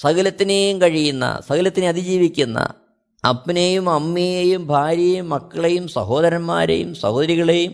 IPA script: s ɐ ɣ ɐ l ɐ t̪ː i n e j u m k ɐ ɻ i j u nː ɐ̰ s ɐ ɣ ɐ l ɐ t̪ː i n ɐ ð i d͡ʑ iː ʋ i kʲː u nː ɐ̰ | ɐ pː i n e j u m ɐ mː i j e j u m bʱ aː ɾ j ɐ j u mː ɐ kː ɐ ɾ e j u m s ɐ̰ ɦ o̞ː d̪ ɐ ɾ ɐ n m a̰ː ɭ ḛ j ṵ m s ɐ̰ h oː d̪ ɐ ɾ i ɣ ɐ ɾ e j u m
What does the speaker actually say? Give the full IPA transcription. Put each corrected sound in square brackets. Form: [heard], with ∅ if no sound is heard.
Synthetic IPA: s ɐ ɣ ɐ l ɐ t̪ː i n e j u m k ɐ ɻ i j u nː ɐ̰ s ɐ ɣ ɐ l ɐ t̪ː i n ɐ ð i d͡ʑ iː ʋ i kʲː u nː ɐ̰ | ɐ pː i n e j u m ɐ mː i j e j u m bʱ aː ɾ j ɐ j u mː ɐ kː ɐ [ɭ] e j u m s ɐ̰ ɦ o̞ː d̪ ɐ ɾ ɐ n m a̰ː [ɾ] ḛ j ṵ m s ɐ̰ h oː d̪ ɐ ɾ i ɣ ɐ [ɭ] e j u m